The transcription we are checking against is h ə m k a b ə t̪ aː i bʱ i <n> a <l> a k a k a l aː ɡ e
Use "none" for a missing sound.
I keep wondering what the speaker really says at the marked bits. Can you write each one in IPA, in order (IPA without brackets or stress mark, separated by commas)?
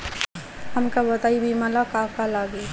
m, l